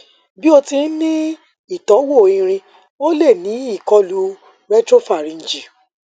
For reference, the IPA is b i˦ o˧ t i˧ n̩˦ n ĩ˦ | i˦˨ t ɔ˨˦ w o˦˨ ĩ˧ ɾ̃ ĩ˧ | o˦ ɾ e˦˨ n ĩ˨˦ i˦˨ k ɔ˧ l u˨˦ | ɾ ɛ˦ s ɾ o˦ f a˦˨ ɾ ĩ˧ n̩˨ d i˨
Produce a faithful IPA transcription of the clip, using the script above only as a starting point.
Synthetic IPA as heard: b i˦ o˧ t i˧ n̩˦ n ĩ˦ | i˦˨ t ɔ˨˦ w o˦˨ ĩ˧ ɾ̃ ĩ˧ | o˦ l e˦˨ n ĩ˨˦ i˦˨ k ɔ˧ l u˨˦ | ɾ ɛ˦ t ɾ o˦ f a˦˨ ɾ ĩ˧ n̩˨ d͡ʒ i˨